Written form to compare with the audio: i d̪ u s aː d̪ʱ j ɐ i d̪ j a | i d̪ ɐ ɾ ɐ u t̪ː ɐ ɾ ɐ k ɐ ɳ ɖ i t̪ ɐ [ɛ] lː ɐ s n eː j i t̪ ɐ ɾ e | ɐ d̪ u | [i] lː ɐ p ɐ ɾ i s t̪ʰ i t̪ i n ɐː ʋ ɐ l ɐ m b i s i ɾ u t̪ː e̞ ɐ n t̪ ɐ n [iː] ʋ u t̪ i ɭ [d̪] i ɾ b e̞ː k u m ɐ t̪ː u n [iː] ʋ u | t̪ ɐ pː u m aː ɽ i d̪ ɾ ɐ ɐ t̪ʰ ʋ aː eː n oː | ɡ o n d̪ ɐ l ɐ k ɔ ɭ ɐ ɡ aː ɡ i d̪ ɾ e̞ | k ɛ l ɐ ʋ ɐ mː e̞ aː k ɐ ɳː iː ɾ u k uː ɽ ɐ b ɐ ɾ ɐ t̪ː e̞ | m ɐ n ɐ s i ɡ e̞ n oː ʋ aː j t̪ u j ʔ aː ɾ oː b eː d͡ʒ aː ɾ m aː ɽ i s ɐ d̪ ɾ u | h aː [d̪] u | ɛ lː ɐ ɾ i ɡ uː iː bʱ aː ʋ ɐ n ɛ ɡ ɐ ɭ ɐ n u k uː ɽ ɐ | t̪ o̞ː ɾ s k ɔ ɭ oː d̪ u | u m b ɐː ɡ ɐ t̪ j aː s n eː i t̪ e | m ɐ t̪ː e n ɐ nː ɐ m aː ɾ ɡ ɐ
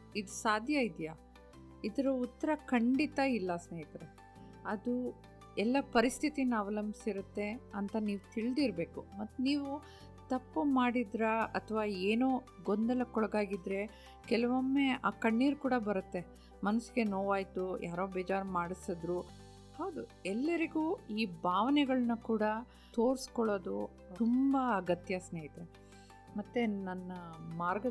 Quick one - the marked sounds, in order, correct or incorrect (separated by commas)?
incorrect, incorrect, correct, correct, correct, correct